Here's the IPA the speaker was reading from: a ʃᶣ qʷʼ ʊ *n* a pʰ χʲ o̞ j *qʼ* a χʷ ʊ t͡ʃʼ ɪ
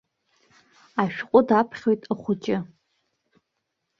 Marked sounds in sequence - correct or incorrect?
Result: incorrect: d, incorrect: tʼ

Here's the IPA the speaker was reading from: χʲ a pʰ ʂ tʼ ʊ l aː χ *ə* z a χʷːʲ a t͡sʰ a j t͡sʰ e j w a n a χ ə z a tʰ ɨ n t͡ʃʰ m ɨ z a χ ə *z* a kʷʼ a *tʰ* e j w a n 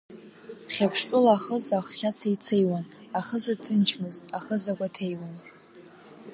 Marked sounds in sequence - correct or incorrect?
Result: correct, correct, correct

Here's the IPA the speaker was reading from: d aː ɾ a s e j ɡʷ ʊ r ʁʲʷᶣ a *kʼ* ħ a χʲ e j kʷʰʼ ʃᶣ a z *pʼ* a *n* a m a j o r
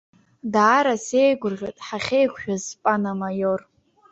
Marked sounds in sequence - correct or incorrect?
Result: incorrect: tʼ, correct, correct

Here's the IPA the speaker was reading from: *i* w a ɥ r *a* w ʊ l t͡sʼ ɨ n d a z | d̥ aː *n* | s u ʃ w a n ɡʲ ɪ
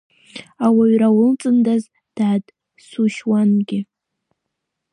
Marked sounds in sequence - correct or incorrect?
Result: incorrect: a, correct, incorrect: d

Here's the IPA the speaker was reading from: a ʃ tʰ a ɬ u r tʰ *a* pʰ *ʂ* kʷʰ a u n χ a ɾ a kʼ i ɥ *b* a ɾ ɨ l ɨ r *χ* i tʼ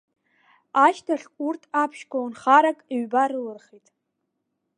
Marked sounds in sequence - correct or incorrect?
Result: correct, incorrect: ʃ, correct, correct

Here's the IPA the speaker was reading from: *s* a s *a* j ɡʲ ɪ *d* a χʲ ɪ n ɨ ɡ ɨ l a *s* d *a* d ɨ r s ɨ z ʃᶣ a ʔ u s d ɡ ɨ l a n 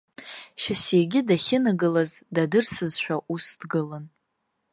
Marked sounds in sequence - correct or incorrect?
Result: incorrect: ʃ, incorrect: e, correct, incorrect: z, correct

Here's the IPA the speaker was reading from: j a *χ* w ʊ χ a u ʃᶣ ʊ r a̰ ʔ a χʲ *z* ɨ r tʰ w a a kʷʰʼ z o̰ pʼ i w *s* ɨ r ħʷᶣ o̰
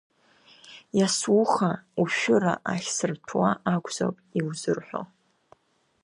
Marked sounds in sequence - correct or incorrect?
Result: incorrect: s, incorrect: s, incorrect: z

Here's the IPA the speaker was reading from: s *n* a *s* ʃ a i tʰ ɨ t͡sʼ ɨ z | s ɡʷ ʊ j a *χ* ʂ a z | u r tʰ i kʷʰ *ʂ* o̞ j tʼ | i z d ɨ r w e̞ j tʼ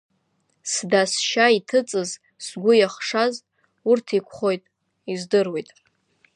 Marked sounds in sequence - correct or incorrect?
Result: incorrect: d, correct, correct, incorrect: χ

